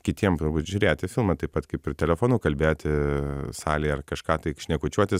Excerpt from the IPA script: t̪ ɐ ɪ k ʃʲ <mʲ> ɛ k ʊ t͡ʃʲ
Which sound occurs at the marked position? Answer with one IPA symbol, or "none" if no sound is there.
nʲ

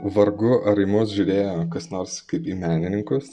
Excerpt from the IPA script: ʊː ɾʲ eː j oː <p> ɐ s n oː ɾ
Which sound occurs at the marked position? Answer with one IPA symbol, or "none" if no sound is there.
k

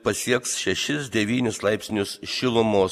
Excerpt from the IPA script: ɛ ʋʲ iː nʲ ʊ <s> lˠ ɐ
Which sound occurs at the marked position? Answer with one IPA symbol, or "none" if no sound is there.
s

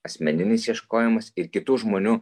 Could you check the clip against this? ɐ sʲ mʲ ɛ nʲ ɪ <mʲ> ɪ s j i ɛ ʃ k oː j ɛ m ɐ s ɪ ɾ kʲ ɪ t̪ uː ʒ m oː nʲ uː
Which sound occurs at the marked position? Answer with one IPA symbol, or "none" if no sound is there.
nʲ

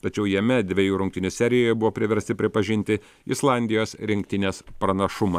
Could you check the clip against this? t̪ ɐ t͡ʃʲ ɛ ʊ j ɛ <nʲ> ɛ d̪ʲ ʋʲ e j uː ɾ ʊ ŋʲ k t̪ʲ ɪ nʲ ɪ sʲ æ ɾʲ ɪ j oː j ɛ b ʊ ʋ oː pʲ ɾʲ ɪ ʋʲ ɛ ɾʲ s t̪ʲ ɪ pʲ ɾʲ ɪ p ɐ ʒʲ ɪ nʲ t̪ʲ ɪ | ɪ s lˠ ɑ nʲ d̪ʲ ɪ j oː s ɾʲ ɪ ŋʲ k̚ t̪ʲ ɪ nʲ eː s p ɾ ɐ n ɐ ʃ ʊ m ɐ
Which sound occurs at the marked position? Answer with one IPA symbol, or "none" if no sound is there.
mʲ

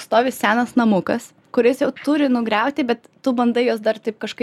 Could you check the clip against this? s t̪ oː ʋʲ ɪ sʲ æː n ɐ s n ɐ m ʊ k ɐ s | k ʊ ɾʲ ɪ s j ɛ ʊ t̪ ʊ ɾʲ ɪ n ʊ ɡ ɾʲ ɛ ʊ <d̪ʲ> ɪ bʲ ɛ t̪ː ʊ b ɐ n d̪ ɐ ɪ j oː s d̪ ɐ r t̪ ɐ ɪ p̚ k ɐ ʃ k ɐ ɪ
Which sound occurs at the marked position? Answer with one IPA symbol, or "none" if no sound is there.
t̪ʲ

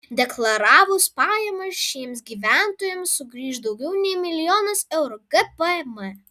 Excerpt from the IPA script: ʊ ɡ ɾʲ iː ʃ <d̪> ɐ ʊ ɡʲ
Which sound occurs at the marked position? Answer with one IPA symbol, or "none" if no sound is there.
d̪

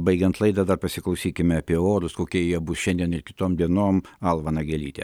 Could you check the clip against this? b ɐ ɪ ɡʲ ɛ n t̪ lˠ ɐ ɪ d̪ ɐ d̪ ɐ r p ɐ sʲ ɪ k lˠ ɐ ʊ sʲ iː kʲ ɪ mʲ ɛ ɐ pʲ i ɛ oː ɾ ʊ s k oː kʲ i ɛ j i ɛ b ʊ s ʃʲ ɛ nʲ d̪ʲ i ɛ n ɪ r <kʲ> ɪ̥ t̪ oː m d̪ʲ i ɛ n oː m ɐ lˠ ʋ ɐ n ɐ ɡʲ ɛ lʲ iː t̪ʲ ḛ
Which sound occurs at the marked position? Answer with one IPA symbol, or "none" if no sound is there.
kʲ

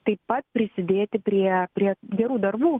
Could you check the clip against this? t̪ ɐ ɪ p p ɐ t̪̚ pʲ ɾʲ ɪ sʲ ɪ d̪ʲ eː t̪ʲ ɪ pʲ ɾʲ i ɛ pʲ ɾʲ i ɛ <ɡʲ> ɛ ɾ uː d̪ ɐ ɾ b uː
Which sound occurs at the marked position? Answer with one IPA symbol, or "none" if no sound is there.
ɡʲ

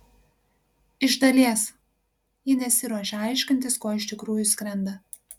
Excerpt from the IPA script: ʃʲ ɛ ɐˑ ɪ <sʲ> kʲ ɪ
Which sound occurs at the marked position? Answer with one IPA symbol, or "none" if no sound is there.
ʃʲ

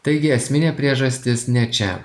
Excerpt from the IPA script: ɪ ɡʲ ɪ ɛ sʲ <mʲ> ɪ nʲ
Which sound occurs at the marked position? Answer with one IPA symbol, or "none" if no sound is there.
mʲ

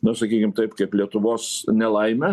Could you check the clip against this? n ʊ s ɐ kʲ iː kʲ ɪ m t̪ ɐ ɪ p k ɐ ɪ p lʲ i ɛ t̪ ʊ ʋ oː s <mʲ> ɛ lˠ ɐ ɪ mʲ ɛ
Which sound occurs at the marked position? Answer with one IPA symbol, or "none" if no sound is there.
nʲ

